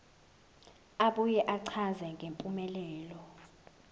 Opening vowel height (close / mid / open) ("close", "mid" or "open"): open